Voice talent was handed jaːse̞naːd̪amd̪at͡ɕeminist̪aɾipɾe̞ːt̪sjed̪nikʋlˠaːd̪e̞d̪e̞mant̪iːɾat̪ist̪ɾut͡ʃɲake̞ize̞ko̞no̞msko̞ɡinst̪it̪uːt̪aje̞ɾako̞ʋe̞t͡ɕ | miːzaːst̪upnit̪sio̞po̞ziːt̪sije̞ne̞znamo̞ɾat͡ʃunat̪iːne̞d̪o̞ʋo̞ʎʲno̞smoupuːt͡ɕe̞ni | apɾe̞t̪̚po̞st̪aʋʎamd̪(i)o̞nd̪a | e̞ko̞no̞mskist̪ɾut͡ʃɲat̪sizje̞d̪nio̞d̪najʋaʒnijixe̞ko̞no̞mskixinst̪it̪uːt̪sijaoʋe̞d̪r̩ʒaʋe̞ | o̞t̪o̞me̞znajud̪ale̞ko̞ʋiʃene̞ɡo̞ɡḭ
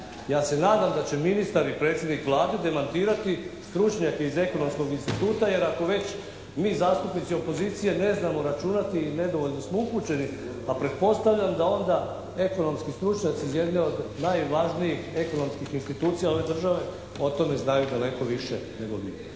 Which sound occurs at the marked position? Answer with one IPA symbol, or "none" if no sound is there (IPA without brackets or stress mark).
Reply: a